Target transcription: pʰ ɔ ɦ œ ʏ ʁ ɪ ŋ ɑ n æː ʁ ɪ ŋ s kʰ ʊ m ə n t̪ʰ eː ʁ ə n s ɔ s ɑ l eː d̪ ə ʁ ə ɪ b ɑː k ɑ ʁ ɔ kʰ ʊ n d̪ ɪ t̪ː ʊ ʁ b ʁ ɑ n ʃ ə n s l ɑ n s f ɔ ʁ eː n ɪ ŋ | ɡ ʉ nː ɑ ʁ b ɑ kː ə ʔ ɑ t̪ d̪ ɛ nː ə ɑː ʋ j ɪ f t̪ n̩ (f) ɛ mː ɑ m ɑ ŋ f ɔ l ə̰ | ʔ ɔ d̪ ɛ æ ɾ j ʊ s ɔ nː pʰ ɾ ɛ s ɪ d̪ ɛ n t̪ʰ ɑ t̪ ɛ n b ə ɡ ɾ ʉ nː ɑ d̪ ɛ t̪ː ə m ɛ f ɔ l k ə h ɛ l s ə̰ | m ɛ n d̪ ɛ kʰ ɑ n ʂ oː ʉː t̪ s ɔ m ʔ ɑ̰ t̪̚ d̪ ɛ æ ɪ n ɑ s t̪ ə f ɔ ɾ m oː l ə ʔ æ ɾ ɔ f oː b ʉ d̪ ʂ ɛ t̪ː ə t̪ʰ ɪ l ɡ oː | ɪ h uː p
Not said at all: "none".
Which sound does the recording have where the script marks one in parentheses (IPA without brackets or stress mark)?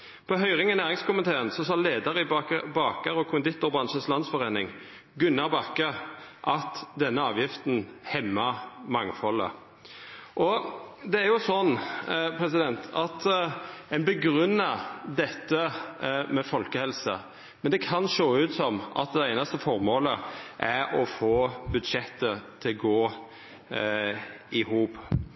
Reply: h